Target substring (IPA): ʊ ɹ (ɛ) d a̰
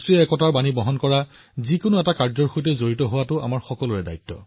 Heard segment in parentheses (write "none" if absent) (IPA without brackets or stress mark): ɛ